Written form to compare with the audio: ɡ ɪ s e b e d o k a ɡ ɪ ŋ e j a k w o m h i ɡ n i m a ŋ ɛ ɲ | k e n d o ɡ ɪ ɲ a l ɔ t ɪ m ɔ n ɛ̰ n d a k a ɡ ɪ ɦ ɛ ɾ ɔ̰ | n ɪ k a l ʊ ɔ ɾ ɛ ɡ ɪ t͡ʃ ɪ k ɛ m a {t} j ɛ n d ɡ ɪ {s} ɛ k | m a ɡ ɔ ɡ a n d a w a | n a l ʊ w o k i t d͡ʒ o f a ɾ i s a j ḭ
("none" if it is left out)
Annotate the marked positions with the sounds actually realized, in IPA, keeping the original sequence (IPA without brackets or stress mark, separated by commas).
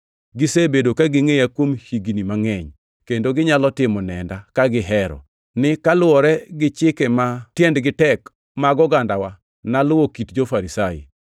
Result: t, t